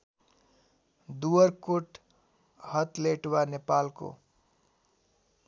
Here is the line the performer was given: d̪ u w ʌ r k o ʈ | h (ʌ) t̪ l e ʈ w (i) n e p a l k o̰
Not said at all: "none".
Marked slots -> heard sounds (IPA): ʌ, a

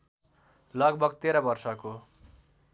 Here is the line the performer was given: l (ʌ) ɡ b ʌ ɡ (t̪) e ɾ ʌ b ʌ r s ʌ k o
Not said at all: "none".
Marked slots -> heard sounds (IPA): ʌ, t̪

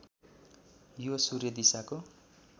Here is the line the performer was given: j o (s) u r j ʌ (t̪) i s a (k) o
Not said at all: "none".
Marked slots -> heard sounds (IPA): s, d̪, k

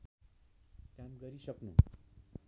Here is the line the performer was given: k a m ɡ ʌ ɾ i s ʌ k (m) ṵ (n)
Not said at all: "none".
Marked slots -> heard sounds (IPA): n, none

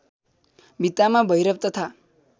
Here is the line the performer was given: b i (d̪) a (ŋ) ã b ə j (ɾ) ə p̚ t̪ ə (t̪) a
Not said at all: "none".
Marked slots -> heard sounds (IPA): t̪, m, ɾ, t̪ʰ

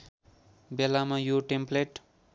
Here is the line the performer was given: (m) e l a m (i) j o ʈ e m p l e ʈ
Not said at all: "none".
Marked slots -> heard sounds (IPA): b, a

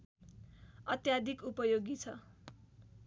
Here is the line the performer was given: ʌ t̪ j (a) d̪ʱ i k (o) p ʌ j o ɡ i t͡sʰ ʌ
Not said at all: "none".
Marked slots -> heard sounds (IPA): a, u

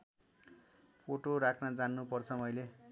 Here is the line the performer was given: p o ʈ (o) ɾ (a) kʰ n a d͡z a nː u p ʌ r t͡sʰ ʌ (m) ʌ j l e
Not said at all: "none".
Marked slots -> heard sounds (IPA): o, a, m

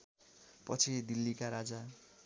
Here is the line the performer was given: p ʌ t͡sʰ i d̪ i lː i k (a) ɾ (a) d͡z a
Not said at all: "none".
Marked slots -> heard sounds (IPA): a, a

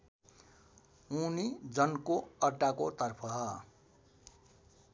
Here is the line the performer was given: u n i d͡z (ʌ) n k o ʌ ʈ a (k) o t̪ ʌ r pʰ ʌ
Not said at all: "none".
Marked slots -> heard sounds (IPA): ʌ, k

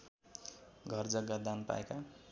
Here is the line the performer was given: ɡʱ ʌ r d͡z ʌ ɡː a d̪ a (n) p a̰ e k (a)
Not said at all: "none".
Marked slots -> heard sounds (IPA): n, a

